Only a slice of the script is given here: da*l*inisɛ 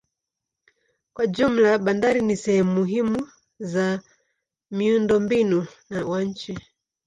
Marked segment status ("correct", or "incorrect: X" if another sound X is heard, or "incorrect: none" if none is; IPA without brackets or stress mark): incorrect: ɾ